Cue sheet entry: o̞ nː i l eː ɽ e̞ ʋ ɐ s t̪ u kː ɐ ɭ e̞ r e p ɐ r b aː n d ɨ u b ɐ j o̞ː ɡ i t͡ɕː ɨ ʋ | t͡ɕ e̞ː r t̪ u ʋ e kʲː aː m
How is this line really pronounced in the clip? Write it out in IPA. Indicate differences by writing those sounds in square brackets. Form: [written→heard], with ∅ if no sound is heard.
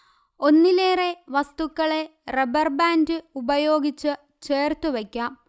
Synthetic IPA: o̞ nː i l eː [ɽ→r] e̞ ʋ ɐ s t̪ u kː ɐ ɭ e̞ r e [p→b] ɐ r b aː n d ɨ u b ɐ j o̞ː ɡ i t͡ɕː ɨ [ʋ→∅] | t͡ɕ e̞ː r t̪ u ʋ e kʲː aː m